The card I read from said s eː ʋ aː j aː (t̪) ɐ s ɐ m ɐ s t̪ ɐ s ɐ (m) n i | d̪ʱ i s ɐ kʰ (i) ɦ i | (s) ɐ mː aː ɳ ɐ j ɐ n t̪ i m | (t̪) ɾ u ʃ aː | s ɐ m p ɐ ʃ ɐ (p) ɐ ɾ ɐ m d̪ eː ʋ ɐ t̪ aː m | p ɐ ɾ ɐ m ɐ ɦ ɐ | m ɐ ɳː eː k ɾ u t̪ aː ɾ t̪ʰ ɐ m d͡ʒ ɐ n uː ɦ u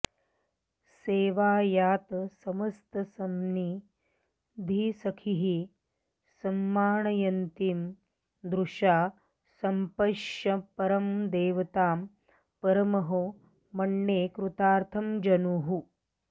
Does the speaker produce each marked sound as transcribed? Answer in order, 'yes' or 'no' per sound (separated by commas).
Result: yes, yes, yes, yes, no, yes